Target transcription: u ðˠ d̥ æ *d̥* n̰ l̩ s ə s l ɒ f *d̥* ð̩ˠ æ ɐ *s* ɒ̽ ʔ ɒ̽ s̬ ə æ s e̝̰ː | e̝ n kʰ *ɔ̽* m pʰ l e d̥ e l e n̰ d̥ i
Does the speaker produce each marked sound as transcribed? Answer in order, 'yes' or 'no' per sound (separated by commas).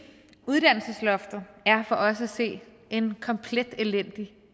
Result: no, yes, no, no